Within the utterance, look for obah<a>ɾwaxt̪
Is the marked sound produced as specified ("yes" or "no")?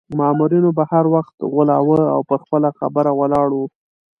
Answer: yes